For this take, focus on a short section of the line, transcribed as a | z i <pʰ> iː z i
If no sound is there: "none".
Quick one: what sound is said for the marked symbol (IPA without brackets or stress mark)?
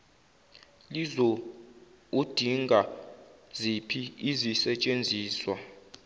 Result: pʰ